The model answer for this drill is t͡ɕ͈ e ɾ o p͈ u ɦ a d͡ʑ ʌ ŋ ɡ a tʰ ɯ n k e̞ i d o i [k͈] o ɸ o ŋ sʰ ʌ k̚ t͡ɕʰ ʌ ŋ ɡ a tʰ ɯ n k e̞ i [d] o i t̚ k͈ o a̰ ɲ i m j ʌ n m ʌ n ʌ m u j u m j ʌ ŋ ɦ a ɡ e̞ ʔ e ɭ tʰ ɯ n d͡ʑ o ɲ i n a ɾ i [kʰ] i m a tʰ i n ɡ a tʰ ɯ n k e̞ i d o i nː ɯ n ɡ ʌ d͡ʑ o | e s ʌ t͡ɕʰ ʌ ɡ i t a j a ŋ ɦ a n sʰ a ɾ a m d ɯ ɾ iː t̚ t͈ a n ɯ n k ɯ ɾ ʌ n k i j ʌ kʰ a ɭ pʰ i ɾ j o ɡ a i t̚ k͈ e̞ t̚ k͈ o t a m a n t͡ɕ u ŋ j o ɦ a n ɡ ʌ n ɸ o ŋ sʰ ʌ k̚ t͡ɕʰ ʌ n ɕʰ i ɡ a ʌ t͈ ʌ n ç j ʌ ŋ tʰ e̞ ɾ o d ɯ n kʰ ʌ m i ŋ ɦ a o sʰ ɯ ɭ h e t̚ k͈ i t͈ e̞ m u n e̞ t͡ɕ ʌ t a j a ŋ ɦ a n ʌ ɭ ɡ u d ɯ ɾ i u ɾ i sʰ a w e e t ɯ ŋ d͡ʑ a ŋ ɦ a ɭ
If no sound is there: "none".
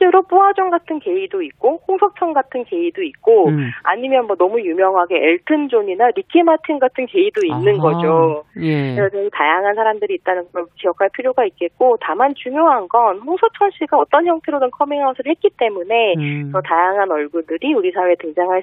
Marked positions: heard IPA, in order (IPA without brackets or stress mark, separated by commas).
k͈, d, kʰ